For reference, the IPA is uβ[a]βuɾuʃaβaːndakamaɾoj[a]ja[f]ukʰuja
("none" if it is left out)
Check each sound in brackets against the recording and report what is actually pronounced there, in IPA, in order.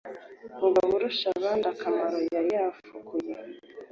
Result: a, a, f

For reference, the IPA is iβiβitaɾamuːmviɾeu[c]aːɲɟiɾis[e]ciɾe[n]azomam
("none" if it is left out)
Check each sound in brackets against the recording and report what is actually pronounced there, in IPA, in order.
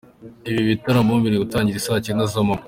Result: t, a, n

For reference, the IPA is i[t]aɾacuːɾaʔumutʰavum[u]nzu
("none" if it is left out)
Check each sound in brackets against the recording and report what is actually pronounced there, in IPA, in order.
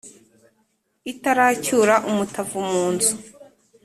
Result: t, uː

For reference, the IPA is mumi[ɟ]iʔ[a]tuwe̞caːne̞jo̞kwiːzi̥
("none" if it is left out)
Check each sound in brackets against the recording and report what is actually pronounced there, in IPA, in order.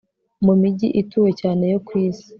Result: ɟ, i

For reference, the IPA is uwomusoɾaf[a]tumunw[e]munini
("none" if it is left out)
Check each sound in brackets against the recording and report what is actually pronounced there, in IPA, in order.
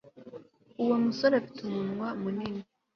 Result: i, a

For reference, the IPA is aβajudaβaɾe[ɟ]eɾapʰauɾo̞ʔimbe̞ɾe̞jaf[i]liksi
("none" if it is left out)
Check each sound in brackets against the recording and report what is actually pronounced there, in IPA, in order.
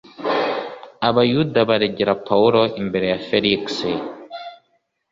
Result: ɟ, e

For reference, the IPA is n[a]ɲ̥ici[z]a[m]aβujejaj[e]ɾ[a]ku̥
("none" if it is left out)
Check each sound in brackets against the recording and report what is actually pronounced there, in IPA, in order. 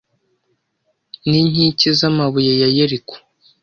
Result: i, z, m, e, i

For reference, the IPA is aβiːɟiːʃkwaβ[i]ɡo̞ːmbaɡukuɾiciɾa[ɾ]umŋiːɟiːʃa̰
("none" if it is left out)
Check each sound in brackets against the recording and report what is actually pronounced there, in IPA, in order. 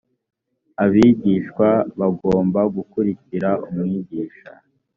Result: a, none

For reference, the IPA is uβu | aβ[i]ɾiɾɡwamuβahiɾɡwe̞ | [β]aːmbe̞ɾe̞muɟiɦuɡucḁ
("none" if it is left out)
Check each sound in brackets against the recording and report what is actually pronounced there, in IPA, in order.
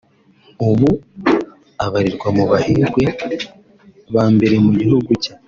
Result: a, β

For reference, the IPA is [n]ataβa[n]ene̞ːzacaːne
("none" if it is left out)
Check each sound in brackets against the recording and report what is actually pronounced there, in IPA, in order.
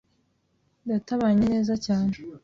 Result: d, ɲ

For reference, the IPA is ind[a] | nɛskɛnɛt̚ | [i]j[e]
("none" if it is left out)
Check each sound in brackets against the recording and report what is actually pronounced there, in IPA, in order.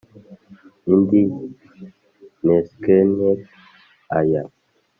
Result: i, a, a

